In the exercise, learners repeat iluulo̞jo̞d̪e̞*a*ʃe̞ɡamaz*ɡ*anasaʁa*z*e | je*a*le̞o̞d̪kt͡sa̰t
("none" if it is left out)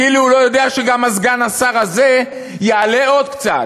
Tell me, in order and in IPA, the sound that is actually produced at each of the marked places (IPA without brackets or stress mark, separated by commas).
a, ɡ, z, a